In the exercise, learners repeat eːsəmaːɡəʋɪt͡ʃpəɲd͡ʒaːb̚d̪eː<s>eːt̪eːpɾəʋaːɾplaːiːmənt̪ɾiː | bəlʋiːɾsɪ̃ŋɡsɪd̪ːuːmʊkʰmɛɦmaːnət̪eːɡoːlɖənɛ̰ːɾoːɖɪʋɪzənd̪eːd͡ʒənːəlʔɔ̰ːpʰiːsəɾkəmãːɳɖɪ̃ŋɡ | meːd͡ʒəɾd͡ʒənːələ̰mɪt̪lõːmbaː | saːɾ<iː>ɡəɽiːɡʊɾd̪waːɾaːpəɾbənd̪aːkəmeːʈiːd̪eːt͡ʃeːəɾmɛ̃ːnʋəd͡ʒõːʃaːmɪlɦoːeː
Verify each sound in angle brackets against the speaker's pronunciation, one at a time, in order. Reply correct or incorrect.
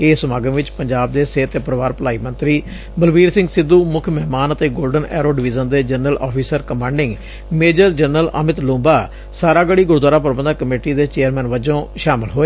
correct, incorrect

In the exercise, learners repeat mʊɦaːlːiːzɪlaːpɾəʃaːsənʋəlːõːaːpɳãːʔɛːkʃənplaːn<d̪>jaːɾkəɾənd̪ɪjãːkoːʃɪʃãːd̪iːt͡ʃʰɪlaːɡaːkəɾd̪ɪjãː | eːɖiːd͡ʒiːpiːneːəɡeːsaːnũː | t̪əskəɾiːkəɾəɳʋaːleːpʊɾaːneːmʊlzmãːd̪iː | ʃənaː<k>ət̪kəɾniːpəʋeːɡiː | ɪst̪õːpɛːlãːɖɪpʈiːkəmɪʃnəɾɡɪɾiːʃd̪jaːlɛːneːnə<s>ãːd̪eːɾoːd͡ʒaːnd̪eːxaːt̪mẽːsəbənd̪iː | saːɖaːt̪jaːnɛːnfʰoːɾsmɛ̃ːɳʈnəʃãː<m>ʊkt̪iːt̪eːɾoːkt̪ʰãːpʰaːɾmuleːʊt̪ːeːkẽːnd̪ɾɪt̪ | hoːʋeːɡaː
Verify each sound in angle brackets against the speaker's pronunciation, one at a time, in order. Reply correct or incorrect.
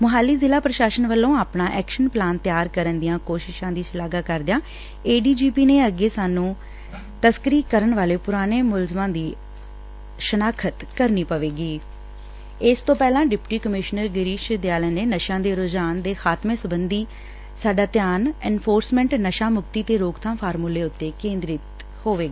incorrect, incorrect, incorrect, correct

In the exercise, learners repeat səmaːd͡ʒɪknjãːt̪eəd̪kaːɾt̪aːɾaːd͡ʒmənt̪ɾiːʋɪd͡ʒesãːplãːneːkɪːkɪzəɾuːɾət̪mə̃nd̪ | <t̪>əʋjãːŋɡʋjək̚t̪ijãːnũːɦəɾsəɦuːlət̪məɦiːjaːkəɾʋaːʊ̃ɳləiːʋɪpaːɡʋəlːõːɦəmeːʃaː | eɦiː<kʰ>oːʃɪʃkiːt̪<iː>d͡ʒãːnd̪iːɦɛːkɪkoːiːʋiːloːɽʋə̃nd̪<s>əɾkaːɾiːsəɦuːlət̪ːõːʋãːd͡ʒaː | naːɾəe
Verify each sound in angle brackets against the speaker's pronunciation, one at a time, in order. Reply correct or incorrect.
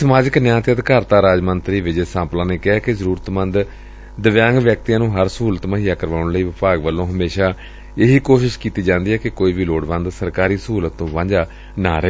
incorrect, incorrect, correct, correct

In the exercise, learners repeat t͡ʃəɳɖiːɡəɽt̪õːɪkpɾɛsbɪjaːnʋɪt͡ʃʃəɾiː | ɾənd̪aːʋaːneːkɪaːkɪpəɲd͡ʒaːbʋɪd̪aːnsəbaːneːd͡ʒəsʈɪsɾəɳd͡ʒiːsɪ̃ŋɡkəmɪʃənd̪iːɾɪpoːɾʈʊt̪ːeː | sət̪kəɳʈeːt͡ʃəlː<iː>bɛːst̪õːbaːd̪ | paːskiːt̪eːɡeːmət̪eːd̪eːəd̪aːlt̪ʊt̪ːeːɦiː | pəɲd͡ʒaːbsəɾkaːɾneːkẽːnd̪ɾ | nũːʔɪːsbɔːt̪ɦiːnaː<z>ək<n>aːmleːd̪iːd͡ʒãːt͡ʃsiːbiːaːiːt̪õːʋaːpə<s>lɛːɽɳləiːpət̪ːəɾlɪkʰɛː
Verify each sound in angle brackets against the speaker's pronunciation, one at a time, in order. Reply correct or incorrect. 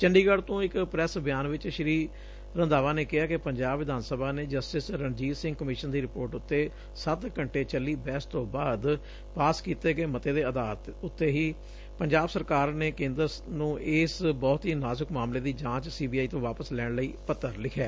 correct, correct, incorrect, correct

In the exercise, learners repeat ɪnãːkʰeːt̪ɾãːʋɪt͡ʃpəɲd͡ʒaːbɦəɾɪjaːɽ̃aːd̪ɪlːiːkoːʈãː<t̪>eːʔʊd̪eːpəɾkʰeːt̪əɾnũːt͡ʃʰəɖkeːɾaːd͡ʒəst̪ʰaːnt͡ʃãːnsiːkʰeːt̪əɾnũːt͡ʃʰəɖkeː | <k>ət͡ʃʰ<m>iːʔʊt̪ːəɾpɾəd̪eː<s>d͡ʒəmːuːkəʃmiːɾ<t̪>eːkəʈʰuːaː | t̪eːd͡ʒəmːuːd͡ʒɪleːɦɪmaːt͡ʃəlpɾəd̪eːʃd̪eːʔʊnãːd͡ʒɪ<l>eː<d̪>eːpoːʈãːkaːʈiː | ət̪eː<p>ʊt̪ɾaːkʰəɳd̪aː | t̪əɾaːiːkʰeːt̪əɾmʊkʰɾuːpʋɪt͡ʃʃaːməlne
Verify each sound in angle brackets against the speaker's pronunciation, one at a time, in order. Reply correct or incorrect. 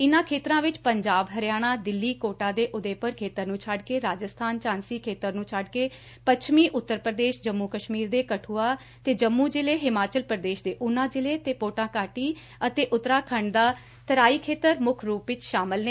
incorrect, incorrect, correct, incorrect, incorrect, correct, incorrect, incorrect

